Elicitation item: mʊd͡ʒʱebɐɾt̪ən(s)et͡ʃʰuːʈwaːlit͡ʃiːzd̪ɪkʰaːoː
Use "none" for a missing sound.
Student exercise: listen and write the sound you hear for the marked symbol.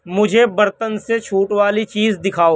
s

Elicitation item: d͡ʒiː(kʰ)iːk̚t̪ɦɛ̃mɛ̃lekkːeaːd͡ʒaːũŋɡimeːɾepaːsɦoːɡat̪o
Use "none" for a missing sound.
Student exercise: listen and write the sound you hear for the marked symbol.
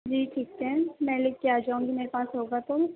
ʈʰ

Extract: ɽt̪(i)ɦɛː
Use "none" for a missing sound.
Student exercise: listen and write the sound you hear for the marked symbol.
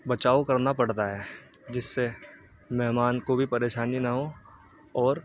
a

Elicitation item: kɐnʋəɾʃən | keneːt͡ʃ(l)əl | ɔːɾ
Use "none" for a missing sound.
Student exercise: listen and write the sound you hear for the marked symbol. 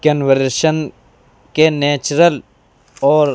ɾ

